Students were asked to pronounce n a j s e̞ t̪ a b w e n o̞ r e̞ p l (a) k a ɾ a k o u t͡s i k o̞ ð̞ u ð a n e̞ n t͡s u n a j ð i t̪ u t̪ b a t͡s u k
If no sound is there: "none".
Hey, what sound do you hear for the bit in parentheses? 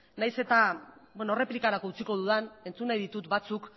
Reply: i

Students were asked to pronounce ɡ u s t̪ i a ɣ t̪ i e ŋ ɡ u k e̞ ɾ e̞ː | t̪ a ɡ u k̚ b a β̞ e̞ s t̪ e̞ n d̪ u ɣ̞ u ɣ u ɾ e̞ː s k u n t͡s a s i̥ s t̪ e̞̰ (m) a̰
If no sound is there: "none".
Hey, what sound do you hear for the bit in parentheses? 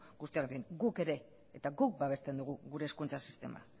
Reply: m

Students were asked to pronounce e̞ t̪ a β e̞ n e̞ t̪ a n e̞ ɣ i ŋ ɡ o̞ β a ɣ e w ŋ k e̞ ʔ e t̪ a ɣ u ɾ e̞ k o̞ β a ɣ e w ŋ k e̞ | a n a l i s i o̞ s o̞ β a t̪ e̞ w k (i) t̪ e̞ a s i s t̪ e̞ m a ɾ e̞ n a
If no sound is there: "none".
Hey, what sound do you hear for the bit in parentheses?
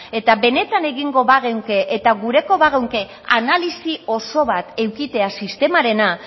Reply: i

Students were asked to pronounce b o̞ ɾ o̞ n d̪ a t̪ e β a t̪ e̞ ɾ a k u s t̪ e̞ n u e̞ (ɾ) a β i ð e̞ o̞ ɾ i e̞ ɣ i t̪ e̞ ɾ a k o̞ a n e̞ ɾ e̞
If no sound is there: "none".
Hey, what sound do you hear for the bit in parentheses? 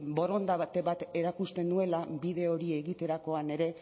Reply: l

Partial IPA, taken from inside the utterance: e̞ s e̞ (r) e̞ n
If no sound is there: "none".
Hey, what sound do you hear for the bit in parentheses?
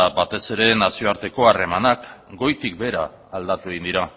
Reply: ɾ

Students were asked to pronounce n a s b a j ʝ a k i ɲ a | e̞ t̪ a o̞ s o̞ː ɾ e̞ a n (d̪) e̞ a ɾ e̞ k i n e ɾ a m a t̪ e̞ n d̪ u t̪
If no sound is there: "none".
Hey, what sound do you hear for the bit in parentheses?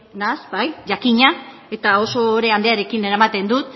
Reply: d̪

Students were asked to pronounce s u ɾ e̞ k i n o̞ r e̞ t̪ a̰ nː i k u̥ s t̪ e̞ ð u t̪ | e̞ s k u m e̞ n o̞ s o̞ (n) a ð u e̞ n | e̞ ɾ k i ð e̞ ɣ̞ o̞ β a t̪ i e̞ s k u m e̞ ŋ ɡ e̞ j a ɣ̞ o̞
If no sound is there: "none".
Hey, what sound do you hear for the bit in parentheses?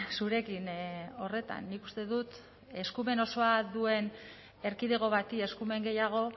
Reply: none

